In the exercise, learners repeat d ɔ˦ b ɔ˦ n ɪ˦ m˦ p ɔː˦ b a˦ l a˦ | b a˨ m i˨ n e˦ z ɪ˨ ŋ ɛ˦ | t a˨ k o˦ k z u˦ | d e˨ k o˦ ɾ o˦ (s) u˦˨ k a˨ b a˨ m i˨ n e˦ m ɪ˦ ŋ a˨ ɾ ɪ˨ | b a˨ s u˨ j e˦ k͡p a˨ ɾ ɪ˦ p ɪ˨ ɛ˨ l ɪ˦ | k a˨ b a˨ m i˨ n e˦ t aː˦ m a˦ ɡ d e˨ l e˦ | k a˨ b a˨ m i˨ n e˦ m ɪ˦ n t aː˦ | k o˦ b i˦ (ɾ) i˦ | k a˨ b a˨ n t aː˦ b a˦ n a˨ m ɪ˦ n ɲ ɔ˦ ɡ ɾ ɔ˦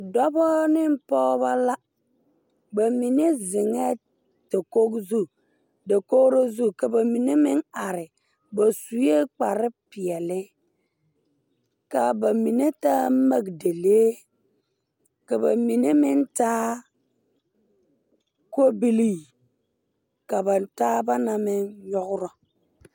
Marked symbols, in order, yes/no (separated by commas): no, no